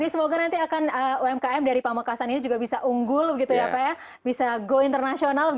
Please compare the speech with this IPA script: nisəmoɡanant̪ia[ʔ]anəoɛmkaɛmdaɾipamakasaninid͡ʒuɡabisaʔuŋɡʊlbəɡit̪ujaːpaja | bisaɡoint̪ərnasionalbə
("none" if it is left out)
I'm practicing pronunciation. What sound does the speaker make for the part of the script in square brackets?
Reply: k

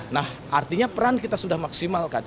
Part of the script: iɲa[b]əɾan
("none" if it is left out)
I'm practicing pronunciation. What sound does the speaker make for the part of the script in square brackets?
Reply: p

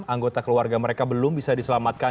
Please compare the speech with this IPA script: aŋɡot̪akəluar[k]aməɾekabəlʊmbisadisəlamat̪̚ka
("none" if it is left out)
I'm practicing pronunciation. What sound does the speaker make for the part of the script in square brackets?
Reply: ɡ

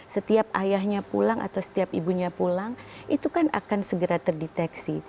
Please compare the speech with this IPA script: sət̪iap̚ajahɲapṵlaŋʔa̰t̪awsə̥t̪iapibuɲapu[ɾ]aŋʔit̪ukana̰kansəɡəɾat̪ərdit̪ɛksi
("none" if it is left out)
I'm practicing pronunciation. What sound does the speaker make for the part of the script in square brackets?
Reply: l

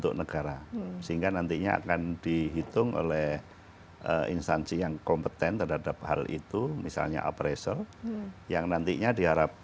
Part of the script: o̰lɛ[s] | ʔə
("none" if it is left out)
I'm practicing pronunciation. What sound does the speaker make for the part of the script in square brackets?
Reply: h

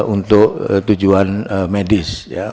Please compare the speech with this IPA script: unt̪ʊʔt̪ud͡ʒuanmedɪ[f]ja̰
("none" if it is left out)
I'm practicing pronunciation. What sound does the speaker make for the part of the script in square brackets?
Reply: s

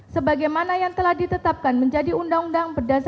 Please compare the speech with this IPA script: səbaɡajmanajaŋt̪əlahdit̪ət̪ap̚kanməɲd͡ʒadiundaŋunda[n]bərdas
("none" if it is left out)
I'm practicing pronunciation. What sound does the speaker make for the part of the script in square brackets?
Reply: ŋ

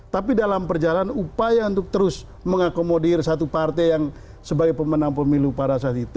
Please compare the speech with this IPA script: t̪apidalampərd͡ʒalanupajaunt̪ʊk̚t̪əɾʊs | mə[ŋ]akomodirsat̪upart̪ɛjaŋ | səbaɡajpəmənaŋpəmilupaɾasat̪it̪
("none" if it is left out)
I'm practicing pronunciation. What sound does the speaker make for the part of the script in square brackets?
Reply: ŋ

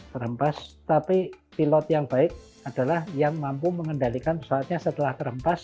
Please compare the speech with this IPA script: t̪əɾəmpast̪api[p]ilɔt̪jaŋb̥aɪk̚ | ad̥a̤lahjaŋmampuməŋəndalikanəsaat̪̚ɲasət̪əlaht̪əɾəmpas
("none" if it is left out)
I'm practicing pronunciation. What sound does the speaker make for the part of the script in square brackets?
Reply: p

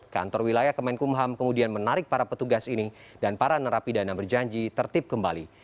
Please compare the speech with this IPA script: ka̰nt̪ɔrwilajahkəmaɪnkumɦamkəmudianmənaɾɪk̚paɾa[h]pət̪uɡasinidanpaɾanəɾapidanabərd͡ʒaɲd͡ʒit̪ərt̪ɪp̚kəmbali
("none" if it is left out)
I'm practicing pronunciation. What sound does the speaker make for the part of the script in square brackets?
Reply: none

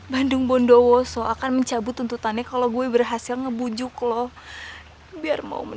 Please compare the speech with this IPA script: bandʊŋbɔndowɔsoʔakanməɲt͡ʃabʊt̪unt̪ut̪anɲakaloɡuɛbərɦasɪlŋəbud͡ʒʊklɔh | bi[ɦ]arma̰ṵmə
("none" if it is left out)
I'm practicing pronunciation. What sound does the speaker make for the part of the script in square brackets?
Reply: none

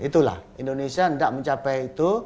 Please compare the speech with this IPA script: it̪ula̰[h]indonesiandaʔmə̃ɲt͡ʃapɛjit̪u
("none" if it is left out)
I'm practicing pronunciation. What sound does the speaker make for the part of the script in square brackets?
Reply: h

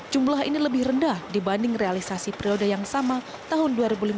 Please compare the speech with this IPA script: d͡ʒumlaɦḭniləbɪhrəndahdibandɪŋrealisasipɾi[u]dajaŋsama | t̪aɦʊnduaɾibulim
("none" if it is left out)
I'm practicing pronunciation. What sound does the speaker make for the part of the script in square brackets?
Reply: o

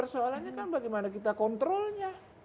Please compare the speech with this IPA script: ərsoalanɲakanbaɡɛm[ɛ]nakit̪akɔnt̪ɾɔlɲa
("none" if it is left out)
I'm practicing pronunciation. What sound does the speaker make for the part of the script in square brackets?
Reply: a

